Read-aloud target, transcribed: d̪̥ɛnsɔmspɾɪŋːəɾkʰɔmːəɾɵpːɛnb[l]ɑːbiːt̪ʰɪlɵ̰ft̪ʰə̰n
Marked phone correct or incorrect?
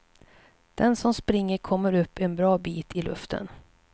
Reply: incorrect: ɾ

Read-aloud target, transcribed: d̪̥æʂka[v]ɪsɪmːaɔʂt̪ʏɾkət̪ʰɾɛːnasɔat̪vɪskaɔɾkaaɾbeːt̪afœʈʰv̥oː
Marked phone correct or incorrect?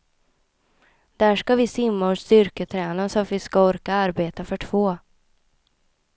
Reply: correct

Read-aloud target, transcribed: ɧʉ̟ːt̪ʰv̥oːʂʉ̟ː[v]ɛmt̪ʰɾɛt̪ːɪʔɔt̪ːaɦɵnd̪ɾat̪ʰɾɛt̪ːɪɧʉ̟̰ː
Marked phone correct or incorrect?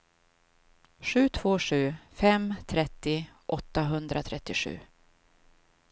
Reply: incorrect: f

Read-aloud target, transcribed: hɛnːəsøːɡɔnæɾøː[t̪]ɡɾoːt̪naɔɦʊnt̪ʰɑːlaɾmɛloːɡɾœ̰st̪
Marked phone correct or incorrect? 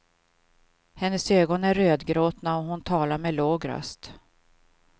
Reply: incorrect: d̪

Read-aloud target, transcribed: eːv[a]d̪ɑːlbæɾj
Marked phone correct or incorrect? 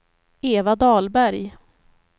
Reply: correct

